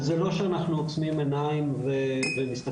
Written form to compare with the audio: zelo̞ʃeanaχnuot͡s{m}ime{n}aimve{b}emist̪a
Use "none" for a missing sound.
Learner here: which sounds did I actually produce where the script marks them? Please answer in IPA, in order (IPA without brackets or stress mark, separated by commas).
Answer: m, n, v